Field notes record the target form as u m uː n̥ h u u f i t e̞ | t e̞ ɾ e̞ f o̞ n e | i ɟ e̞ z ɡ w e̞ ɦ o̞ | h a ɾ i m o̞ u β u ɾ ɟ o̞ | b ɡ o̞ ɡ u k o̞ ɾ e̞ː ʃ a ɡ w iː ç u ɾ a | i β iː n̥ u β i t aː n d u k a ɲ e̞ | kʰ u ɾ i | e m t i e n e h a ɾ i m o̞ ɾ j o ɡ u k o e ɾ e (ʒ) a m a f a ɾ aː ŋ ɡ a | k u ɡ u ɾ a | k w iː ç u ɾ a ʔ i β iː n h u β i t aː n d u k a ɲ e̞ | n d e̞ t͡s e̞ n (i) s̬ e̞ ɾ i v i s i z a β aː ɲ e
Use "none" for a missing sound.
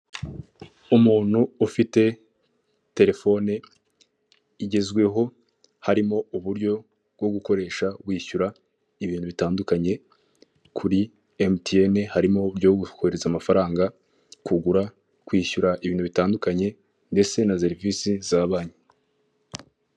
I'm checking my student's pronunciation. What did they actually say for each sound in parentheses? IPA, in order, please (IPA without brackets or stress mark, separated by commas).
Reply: z, a